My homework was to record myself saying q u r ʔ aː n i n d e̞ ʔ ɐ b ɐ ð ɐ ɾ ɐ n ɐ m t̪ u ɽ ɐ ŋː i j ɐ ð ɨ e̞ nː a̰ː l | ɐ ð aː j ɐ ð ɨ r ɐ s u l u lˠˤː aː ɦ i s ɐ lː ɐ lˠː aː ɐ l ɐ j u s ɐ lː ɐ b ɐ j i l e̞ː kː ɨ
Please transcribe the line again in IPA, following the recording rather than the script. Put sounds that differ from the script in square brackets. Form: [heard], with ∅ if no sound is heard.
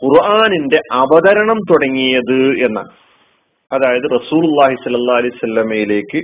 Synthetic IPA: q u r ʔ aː n i n d e̞ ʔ ɐ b ɐ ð ɐ ɾ ɐ [ɳ] ɐ m t̪ u ɽ ɐ ŋː i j ɐ ð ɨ e̞ nː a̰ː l | ɐ ð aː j ɐ ð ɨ r ɐ s [uː] l u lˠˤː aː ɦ i s ɐ lː ɐ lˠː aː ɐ l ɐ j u s ɐ lː ɐ [m] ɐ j i l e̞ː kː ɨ